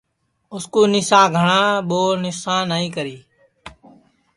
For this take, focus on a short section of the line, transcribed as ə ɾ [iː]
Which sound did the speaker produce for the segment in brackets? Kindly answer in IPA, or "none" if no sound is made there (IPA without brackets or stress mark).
iː